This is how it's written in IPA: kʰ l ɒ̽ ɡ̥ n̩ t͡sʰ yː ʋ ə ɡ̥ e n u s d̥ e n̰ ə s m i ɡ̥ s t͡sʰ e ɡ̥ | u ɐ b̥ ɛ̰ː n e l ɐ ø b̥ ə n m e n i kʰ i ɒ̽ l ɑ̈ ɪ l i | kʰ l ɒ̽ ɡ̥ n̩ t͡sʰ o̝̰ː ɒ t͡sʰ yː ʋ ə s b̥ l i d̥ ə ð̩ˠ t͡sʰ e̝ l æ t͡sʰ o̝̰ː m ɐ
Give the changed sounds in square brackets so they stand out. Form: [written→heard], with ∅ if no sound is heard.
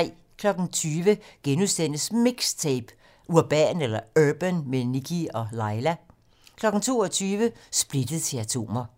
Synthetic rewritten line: kʰ l ɒ̽ ɡ̥ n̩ t͡sʰ yː ʋ ə ɡ̥ e n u s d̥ e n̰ ə s m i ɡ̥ s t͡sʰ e [ɡ̥→b̥] | u ɐ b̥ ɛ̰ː n e l ɐ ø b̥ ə n m e n i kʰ i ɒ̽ l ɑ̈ ɪ l [i→æ] | kʰ l ɒ̽ ɡ̥ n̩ t͡sʰ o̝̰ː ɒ t͡sʰ yː ʋ ə s b̥ l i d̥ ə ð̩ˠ t͡sʰ e̝ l æ t͡sʰ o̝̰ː m ɐ